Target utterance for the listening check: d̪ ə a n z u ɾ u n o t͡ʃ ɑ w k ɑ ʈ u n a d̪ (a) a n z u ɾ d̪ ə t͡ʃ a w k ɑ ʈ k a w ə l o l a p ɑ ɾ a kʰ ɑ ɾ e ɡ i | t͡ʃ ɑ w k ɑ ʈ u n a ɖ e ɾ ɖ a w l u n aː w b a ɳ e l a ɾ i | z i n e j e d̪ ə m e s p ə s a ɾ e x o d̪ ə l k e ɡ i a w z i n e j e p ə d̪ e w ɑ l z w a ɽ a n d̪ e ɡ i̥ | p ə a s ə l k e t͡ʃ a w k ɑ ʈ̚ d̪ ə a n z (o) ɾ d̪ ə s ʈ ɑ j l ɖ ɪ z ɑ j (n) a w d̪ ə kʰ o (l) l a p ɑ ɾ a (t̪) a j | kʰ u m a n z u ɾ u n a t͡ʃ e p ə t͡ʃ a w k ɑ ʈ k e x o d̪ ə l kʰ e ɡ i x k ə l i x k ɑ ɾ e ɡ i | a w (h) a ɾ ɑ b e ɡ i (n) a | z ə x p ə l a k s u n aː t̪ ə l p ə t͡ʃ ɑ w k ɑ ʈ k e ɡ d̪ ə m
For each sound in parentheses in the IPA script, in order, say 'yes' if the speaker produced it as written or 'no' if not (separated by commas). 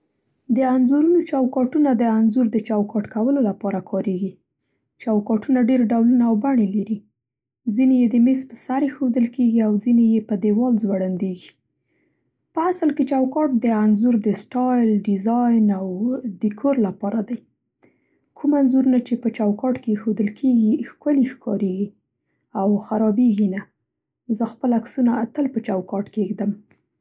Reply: no, no, yes, no, no, no, yes